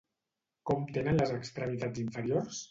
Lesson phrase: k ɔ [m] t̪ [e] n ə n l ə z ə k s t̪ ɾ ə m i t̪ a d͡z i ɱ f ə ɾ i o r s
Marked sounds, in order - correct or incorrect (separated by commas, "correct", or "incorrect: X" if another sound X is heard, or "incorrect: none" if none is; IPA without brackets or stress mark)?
correct, correct